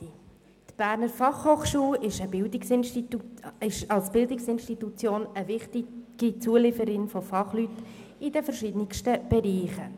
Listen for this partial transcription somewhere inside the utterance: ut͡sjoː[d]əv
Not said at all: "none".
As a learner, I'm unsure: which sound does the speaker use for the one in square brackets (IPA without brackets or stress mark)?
n